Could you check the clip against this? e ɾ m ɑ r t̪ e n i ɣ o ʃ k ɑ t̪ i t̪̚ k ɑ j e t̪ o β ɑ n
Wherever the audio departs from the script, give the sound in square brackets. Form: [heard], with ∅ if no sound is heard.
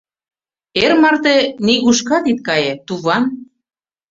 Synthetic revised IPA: e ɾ m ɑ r t̪ e n i ɣ [u] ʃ k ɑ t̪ i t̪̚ k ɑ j e t̪ [u] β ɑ n